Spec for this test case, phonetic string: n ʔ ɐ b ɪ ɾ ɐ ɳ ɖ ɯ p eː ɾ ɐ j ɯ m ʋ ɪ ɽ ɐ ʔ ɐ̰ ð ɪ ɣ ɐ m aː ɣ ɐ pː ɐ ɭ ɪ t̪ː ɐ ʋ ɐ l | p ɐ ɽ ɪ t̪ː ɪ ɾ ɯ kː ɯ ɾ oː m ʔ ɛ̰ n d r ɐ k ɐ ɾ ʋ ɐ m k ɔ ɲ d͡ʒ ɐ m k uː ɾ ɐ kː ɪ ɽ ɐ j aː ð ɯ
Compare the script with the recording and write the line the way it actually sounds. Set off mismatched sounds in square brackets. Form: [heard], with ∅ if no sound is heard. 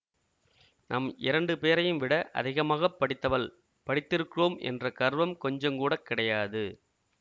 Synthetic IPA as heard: n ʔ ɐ [m] ɪ ɾ ɐ ɳ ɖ ɯ p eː ɾ ɐ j ɯ m ʋ ɪ ɽ ɐ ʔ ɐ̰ ð ɪ ɣ ɐ m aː ɣ ɐ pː ɐ [ɽ] ɪ t̪ː ɐ ʋ ɐ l | p ɐ ɽ ɪ t̪ː ɪ ɾ ɯ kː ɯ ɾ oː m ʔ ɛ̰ n d r ɐ k ɐ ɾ ʋ ɐ m k ɔ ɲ d͡ʒ ɐ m k uː [ɽ] ɐ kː ɪ ɽ ɐ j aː ð ɯ